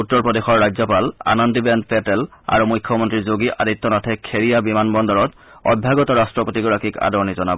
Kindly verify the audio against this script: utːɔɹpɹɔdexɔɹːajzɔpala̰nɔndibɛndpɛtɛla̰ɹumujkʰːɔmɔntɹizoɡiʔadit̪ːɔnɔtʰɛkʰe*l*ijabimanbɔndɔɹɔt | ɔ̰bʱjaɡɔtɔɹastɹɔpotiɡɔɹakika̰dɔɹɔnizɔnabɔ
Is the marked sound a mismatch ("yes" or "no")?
yes